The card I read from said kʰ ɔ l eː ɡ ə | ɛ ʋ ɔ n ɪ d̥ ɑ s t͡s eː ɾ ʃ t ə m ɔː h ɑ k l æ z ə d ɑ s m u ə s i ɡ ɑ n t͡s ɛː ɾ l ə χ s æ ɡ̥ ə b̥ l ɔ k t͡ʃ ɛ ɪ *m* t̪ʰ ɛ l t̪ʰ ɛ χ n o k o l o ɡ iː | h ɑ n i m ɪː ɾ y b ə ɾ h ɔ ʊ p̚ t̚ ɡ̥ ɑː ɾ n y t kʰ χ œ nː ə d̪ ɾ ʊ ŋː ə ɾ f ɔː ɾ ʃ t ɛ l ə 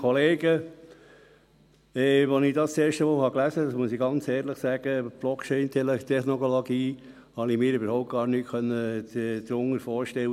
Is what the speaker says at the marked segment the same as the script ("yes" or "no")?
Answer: no